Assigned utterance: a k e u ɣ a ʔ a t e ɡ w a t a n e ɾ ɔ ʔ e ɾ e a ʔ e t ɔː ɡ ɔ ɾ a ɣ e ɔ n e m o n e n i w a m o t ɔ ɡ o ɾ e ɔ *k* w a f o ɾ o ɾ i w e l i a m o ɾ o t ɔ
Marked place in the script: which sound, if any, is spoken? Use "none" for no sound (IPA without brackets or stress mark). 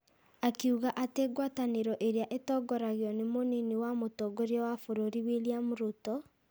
none